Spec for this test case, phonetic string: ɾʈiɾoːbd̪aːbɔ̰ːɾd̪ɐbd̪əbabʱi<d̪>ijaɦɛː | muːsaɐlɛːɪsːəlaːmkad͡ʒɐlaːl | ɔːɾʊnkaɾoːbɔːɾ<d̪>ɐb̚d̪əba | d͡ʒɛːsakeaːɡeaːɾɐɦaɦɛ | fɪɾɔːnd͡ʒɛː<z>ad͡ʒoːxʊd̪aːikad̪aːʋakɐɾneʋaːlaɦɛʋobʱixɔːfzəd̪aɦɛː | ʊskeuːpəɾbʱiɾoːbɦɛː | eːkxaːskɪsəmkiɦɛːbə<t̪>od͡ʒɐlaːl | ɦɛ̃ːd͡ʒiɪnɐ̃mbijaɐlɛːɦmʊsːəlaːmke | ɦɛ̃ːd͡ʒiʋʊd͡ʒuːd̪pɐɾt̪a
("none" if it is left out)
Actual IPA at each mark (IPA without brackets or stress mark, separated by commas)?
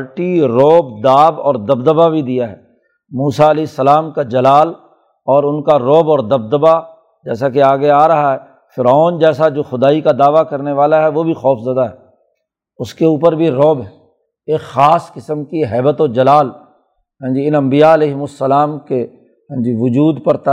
d̪, d̪, s, t̪